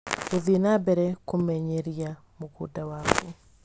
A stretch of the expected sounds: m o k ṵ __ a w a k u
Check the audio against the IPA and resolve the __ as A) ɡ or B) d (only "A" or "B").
B